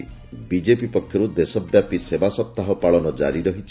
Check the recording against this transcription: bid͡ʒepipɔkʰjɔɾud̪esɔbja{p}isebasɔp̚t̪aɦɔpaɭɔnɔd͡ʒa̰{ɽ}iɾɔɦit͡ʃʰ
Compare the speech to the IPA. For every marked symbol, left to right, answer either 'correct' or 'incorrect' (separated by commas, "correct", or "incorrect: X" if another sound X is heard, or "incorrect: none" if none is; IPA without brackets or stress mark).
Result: correct, incorrect: ɾ